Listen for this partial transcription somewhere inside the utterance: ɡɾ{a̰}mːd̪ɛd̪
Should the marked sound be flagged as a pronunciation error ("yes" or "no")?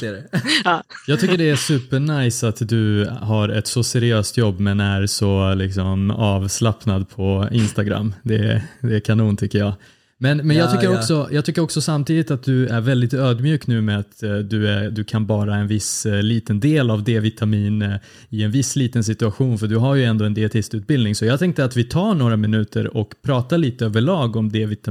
no